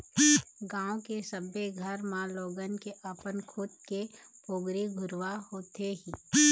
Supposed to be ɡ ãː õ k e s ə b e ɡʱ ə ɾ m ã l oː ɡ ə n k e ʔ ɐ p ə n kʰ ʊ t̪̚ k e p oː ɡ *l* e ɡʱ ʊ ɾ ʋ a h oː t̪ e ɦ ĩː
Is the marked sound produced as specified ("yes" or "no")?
no